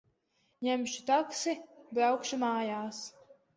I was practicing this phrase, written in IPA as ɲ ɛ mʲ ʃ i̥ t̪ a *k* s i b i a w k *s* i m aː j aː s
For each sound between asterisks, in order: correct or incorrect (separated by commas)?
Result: correct, incorrect